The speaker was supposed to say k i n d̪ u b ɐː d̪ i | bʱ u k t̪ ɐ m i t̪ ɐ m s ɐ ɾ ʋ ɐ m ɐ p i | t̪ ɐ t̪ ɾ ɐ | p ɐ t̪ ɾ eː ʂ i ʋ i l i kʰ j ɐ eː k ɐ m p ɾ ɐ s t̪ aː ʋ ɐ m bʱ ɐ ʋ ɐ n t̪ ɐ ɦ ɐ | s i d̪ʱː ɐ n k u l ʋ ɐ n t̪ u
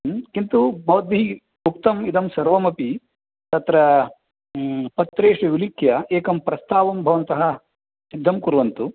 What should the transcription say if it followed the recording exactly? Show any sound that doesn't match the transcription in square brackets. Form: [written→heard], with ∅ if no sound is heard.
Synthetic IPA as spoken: k i n [d̪→t̪] u b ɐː d̪ i | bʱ u k t̪ ɐ m i [t̪→d̪] ɐ m s ɐ ɾ ʋ ɐ m ɐ p i | t̪ ɐ t̪ ɾ ɐ | p ɐ t̪ ɾ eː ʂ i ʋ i l i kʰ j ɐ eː k ɐ m p ɾ ɐ s t̪ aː ʋ ɐ m bʱ ɐ ʋ ɐ n t̪ ɐ ɦ ɐ | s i d̪ʱː ɐ [n→m] k u [l→ɾ] ʋ ɐ n t̪ u